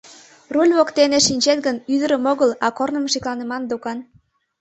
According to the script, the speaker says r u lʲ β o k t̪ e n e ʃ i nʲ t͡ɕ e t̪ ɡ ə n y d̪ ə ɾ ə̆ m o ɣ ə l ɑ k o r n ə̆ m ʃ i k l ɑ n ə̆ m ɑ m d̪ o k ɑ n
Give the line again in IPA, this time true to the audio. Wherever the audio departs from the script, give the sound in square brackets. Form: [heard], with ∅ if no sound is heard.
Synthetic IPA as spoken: r u lʲ β o k t̪ e n e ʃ i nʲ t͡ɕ e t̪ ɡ ə n y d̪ ə ɾ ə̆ m o ɣ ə l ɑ k o r n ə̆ m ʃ i k l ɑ n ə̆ m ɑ [n] d̪ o k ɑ n